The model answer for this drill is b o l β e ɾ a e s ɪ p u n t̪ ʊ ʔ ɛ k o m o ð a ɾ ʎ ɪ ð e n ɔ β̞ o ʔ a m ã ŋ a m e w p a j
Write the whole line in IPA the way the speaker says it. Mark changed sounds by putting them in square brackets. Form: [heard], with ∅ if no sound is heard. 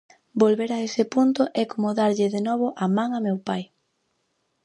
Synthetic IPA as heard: b o l β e ɾ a e s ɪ p u n t̪ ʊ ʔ ɛ k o m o ð a ɾ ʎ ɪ ð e n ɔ β̞ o ʔ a m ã ŋ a m e w p a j